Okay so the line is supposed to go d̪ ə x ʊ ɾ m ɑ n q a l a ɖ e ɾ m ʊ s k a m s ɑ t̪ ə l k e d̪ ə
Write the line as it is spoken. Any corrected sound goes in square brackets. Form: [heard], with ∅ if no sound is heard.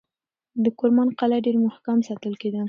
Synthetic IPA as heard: d̪ ə [k] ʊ ɾ m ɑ n q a l a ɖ e ɾ m ʊ [h] k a m s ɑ t̪ ə l k e d̪ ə